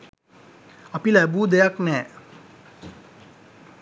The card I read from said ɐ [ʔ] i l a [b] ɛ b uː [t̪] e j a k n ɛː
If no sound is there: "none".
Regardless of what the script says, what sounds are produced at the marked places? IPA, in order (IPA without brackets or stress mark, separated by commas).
p, none, d̪